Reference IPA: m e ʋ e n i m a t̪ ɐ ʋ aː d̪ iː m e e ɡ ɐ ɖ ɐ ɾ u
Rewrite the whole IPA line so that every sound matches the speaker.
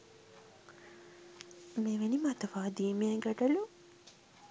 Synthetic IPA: m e ʋ e n i m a t̪ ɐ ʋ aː d̪ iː m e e ɡ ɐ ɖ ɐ l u